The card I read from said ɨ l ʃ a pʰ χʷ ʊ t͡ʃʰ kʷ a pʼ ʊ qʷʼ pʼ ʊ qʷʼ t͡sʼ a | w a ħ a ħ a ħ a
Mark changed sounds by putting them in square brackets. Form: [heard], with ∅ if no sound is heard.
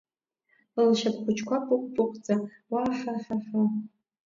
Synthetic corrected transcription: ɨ l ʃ a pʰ χʷ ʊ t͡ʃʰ kʷ a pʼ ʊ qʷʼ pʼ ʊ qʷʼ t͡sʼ a | w a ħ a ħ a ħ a